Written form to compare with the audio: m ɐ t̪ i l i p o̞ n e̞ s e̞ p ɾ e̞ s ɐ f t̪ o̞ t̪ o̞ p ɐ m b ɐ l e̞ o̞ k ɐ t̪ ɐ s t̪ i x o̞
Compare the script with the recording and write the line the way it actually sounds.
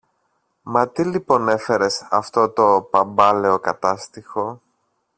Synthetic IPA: m ɐ t̪ i l i p o̞ n e̞ f e̞ ɾ e̞ s ɐ f t̪ o̞ t̪ o̞ p ɐ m b ɐ l e̞ o̞ k ɐ t̪ ɐ s t̪ i x o̞